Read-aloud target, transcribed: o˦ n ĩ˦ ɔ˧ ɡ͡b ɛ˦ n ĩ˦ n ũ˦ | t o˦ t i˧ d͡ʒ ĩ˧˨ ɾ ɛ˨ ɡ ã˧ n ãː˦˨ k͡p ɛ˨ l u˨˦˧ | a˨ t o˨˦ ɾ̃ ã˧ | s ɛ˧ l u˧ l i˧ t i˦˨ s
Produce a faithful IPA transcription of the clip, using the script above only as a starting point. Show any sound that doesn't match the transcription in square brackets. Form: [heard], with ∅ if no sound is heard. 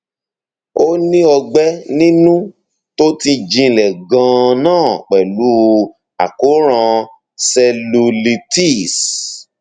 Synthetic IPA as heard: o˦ n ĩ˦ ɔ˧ ɡ͡b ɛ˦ n ĩ˦ n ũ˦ | t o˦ t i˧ d͡ʒ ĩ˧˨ [l] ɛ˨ ɡ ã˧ n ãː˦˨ k͡p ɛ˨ l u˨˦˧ | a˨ [k] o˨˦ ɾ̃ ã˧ | s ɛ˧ l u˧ l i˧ t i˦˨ s